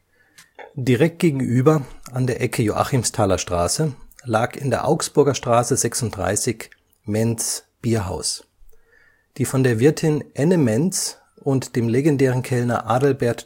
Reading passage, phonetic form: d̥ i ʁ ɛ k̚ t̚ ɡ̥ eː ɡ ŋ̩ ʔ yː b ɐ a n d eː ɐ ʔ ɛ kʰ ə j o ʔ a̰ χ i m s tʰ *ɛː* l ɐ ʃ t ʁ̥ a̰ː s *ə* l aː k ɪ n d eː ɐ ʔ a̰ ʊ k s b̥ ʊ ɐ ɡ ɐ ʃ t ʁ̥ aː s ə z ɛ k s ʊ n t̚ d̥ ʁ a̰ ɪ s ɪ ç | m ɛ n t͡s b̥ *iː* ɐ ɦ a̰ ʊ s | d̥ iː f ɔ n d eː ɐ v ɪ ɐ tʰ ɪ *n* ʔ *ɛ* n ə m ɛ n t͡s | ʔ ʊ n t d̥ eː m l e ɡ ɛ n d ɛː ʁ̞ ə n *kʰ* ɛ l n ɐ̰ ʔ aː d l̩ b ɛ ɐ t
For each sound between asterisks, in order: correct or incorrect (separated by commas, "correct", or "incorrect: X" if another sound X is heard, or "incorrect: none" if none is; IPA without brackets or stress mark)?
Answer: incorrect: aː, correct, correct, correct, correct, correct